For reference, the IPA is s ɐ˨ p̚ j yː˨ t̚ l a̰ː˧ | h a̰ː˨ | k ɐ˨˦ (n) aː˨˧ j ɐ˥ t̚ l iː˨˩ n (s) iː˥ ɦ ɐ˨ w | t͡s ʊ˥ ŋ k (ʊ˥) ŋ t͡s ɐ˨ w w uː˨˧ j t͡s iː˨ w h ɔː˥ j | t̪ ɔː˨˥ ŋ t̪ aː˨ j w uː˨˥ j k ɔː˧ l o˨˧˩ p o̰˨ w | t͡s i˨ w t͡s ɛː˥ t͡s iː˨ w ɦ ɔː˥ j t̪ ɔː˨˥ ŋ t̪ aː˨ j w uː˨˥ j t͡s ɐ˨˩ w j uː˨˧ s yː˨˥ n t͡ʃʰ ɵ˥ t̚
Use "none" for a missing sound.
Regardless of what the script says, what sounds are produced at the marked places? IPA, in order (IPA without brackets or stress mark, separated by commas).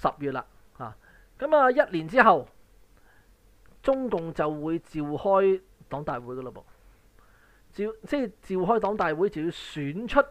m, t͡s, ʊ˨